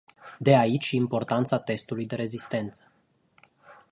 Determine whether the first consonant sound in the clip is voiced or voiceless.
voiced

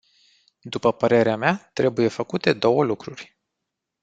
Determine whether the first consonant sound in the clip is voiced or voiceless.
voiced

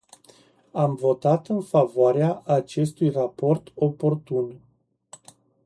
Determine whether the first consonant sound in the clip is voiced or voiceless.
voiced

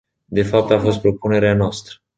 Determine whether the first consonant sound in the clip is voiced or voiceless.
voiced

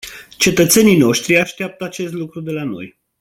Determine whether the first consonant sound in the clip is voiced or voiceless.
voiceless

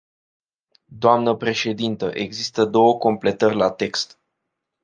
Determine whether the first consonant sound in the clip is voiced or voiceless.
voiced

